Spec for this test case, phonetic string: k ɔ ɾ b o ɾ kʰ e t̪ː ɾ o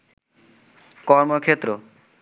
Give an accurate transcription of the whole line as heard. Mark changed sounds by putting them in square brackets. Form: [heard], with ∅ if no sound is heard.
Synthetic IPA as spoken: k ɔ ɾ [m] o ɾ kʰ e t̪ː ɾ o